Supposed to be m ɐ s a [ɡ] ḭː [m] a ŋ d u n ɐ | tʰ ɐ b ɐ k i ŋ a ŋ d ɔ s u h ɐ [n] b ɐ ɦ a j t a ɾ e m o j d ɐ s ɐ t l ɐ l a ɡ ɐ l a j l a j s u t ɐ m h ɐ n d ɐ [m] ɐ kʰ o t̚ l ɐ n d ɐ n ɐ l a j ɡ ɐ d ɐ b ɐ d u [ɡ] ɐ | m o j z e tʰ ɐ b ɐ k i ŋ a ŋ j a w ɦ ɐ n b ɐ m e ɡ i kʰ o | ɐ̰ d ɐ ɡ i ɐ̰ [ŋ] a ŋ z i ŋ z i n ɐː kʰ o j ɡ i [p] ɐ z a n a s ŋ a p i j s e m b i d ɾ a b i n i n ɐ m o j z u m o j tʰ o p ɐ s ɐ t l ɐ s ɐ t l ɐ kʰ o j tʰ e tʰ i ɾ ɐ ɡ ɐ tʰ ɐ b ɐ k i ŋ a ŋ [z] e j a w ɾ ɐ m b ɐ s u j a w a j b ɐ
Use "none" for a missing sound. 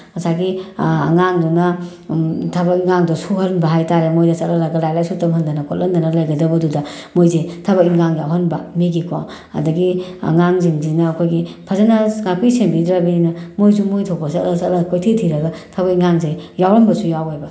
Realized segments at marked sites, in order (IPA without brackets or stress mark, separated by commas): ɡ, ŋ, n, n, d, ŋ, pʰ, z